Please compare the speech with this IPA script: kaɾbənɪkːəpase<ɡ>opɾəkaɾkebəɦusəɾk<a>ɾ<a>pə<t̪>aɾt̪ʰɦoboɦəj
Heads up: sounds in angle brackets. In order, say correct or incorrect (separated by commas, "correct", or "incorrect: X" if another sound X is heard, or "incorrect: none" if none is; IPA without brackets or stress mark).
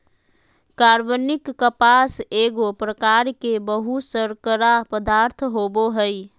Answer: correct, incorrect: ə, correct, incorrect: d̪